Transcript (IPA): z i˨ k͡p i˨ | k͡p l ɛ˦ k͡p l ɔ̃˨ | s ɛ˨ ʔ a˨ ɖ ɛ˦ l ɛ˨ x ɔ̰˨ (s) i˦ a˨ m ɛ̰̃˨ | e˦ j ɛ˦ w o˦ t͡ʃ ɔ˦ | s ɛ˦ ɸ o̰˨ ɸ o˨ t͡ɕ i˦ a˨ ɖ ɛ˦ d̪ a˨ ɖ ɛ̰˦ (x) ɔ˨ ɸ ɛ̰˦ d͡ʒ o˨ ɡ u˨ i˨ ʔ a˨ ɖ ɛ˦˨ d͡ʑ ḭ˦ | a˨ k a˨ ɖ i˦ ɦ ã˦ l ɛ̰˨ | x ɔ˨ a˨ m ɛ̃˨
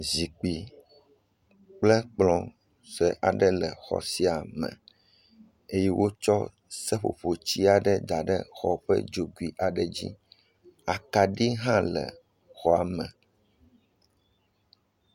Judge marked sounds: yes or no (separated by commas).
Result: yes, yes